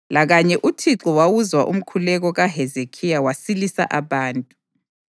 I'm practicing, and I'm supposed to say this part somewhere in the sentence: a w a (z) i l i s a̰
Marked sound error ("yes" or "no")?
yes